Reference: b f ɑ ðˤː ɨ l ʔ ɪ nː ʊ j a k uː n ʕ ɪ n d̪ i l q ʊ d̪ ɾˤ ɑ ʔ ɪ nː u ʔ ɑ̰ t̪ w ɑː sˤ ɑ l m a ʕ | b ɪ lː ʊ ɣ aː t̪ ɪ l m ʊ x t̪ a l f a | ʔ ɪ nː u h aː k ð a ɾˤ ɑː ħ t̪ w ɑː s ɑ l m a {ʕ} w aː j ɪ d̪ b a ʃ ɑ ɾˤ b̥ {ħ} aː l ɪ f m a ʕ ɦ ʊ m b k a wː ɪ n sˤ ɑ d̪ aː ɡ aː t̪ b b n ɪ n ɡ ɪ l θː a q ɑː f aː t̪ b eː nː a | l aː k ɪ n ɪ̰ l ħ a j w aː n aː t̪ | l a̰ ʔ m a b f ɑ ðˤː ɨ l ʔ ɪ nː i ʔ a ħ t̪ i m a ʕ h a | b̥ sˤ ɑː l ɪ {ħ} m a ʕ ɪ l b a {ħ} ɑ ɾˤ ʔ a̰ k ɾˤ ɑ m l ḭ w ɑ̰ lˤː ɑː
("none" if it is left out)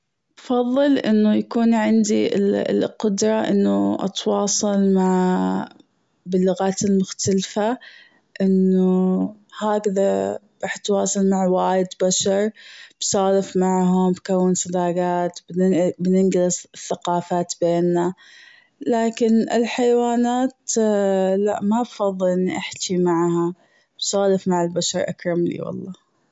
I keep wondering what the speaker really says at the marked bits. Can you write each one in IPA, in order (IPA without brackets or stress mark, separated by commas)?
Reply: ʕ, s, f, ʃ